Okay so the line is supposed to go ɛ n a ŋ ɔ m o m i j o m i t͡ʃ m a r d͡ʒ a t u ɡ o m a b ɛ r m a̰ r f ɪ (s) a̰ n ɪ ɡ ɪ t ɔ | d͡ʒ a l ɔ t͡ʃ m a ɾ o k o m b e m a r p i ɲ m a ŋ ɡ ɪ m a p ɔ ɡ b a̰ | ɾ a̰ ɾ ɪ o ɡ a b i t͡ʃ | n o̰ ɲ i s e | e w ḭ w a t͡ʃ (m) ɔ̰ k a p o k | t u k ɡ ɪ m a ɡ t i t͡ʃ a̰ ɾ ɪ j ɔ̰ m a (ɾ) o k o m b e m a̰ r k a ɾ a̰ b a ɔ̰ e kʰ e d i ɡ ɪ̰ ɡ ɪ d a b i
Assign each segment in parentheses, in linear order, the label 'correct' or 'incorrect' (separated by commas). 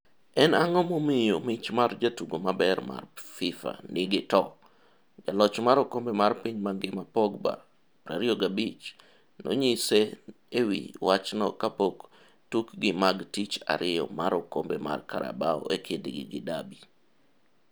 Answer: incorrect, incorrect, correct